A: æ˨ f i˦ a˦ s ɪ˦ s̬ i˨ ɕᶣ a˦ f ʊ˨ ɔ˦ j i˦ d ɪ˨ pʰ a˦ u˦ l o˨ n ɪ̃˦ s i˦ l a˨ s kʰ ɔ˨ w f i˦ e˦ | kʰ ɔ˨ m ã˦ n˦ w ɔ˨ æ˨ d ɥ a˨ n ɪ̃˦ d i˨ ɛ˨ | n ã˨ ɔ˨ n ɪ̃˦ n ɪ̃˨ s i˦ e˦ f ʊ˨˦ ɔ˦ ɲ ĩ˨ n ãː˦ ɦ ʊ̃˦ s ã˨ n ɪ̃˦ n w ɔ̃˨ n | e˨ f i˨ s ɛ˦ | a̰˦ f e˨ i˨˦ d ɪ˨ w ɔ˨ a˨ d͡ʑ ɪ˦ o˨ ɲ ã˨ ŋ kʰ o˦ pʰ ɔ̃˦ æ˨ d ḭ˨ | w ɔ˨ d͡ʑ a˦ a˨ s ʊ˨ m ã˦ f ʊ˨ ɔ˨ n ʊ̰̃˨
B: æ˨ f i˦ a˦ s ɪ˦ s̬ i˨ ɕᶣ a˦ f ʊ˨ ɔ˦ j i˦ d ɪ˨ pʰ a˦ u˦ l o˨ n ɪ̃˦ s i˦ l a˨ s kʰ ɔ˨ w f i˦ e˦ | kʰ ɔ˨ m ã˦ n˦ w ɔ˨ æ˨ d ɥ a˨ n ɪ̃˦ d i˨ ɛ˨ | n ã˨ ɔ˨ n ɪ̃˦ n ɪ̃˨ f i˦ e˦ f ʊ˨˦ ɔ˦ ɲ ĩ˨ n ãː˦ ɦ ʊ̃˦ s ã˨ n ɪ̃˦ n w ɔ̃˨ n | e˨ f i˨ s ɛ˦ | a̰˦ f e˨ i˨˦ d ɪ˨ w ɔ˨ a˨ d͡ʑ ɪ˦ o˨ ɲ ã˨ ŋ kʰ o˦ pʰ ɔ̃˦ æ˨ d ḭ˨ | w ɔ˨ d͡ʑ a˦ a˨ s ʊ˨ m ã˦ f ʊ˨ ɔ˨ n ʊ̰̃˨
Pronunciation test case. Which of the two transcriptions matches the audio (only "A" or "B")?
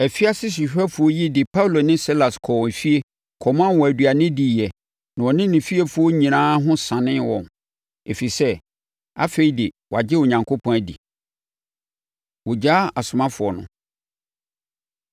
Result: B